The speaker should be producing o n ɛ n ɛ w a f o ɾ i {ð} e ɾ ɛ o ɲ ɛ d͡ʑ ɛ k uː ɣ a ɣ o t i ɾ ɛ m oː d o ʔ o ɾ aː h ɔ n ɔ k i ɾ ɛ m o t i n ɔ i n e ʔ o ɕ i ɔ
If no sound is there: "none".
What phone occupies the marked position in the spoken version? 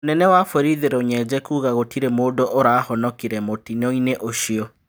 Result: ð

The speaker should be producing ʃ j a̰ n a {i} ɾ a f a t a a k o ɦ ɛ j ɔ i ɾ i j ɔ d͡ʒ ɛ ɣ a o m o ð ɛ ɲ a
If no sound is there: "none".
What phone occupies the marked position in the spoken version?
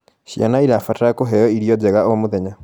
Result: i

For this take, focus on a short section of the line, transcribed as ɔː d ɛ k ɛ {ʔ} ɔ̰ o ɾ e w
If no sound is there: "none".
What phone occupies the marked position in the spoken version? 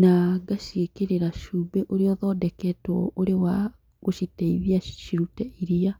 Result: t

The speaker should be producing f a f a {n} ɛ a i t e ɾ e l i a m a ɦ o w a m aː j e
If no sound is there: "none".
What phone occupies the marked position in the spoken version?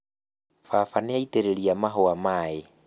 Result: n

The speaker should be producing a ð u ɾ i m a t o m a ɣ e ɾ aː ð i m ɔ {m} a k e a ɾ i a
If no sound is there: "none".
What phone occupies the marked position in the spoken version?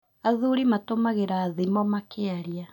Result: m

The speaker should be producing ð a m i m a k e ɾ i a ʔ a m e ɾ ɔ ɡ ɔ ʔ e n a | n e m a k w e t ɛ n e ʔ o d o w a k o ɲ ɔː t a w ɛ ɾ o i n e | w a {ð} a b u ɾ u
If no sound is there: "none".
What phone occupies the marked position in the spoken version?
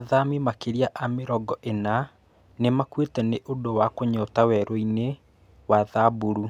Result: ð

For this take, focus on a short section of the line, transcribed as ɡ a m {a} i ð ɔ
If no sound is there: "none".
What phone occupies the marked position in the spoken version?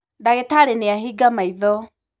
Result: a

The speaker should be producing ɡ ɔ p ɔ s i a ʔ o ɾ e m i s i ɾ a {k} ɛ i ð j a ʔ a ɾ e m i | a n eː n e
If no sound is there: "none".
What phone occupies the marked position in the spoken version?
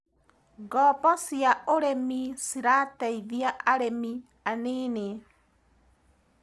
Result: t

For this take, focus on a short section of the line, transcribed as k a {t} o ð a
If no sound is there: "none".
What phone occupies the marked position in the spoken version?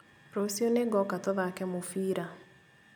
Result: t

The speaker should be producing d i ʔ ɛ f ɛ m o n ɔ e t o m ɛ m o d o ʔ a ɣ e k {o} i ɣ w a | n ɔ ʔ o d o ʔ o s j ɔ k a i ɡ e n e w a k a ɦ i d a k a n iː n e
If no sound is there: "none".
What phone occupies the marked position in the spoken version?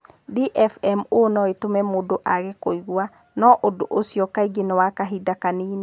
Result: o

